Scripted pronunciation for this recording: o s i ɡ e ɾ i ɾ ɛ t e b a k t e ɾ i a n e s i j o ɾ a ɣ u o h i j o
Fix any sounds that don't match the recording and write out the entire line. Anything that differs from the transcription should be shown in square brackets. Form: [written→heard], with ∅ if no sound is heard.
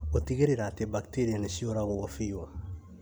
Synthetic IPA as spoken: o [s→t] i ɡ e ɾ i ɾ [ɛ→a] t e b a k t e ɾ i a n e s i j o ɾ a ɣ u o [h→f] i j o